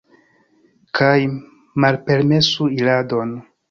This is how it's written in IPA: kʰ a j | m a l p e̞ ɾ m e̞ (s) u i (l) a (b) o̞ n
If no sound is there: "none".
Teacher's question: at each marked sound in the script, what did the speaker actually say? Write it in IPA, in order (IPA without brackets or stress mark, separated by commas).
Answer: s, l, d